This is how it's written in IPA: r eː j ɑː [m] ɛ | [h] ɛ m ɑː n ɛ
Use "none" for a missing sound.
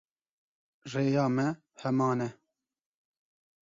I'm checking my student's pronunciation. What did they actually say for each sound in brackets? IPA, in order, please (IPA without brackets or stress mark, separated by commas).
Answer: m, h